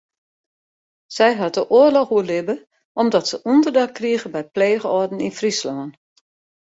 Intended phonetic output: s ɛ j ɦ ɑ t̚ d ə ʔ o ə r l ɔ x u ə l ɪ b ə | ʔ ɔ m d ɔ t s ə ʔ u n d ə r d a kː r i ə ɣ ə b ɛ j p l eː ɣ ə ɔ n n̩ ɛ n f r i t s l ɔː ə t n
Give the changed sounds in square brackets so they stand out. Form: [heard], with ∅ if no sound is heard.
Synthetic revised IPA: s ɛ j ɦ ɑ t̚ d ə ʔ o ə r l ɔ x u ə l ɪ b ə | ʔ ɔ m d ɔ t s ə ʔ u n d ə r d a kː r i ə ɣ ə b ɛ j p l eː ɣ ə ɔ [d] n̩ [i] n f r i [∅] s l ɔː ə [∅] n